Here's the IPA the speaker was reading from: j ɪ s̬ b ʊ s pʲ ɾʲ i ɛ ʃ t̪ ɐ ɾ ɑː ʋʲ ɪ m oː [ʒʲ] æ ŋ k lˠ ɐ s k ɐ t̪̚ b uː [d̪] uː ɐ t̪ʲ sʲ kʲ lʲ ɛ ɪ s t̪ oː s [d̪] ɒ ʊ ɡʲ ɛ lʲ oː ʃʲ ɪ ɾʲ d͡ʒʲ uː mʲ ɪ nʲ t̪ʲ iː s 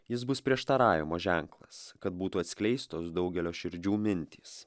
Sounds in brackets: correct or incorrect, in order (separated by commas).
correct, incorrect, correct